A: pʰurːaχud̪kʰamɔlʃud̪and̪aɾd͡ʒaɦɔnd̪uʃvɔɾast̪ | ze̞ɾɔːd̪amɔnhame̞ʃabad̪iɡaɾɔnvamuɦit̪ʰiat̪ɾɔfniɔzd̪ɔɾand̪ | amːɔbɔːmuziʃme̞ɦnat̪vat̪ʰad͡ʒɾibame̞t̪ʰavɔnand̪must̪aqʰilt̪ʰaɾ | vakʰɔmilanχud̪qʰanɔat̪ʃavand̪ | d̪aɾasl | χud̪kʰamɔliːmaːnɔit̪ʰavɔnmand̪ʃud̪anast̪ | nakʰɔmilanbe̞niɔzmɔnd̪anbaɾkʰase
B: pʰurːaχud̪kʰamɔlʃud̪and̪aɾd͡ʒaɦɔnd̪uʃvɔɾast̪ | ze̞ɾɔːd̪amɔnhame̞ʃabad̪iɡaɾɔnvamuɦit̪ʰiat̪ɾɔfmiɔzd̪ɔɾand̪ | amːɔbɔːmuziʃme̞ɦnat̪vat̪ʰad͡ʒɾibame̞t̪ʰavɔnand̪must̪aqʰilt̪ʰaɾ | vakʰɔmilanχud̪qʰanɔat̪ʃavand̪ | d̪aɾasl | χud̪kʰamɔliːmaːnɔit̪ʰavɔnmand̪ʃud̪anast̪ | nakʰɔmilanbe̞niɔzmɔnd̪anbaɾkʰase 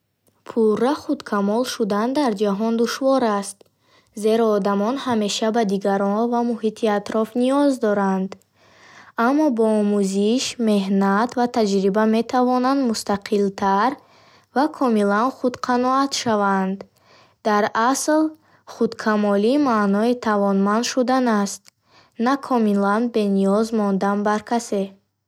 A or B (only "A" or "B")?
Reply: A